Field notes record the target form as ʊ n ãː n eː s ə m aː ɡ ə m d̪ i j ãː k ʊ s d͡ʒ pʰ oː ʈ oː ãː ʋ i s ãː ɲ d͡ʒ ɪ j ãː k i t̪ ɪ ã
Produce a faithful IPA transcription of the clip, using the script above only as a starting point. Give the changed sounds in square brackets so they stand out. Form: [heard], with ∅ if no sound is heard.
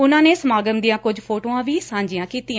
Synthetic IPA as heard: ʊ n ãː n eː s ə m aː ɡ ə m d̪ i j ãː k ʊ [∅] d͡ʒ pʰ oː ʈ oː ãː ʋ [iː] s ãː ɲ d͡ʒ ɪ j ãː k [iː] t̪ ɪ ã